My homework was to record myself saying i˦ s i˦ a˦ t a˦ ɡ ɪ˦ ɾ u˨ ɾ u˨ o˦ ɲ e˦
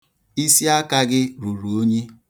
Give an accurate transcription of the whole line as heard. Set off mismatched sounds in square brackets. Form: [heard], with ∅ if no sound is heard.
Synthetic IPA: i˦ s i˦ a˦ [k] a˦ ɡ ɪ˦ ɾ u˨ ɾ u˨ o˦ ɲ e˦

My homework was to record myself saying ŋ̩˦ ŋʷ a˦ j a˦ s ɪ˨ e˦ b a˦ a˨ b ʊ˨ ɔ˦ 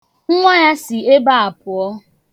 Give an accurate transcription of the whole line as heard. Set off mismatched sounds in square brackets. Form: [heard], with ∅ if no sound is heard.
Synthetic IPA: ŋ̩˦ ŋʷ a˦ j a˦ s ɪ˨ e˦ b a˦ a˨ [p] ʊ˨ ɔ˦

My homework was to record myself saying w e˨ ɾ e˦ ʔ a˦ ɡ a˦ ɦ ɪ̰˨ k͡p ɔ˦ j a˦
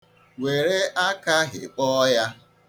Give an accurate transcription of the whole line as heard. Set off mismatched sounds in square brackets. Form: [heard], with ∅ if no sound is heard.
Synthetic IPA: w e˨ ɾ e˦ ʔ a˦ [k] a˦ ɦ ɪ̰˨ k͡p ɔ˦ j a˦

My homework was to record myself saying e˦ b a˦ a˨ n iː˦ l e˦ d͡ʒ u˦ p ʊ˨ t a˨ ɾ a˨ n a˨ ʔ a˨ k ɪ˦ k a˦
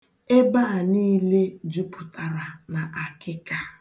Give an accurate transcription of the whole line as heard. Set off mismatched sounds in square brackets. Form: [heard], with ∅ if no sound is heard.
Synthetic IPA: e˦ b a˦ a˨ n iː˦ l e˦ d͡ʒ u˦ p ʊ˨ t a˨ ɾ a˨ n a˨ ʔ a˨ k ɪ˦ k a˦

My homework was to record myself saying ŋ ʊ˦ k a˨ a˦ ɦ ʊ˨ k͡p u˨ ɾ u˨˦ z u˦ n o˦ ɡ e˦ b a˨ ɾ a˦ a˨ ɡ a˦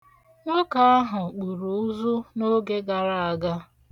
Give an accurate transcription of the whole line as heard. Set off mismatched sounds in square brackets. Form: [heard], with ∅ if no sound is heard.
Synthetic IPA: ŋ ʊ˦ k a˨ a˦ ɦ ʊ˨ k͡p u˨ ɾ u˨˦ z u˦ n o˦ ɡ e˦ [ɡ] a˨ ɾ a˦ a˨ ɡ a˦

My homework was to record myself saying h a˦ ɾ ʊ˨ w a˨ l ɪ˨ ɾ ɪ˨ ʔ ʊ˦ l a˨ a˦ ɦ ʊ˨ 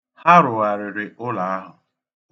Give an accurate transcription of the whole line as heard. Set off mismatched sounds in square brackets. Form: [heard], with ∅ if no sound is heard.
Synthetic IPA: h a˦ ɾ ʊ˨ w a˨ [ɾ] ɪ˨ ɾ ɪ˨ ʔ ʊ˦ l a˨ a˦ ɦ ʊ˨

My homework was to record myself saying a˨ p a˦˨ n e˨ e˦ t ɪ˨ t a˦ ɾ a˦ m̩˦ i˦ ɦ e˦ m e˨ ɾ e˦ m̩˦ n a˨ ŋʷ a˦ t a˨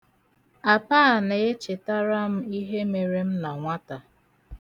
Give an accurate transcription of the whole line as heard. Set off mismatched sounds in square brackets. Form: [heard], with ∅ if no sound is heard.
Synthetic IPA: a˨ p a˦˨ n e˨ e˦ [t͡ʃ] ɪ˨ t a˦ ɾ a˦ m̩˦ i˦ ɦ e˦ m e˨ ɾ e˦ m̩˦ n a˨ ŋʷ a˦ t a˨

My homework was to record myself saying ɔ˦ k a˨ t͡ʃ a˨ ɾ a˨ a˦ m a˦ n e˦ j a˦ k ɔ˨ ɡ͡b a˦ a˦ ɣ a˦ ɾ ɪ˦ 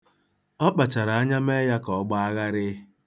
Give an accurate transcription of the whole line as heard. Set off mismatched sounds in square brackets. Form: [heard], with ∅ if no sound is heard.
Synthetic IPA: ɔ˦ [k͡p] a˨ t͡ʃ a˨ ɾ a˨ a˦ [ɲ] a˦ [m] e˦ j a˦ k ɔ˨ ɡ͡b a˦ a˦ ɣ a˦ ɾ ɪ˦

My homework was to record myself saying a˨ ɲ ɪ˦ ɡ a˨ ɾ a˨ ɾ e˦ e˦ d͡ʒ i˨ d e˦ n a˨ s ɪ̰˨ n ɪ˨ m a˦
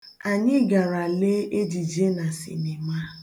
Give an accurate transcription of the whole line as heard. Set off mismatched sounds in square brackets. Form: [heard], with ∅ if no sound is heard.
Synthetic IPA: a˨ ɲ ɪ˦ ɡ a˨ ɾ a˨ [l] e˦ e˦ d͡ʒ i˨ [d͡ʒ] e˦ n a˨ s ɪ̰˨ n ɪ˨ m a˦

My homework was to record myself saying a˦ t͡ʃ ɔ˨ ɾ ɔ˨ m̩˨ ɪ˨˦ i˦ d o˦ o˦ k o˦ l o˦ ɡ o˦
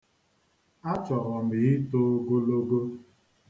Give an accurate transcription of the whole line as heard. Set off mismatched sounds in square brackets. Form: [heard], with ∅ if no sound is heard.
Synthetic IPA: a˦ t͡ʃ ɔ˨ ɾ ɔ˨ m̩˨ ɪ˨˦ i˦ [t] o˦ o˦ [ɡ] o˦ l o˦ ɡ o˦

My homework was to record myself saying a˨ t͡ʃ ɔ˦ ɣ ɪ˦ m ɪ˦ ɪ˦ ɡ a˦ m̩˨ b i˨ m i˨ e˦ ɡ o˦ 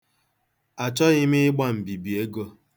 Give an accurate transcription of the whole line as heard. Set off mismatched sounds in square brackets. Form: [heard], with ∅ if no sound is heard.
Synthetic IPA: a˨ t͡ʃ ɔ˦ ɣ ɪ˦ m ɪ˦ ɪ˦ [ɡ͡b] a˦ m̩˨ b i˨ [b] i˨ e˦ ɡ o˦

